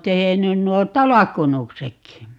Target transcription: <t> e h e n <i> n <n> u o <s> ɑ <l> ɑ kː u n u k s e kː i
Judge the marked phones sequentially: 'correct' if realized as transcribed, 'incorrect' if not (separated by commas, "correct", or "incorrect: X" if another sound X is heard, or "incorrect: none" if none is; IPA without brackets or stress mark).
correct, incorrect: y, correct, incorrect: t, correct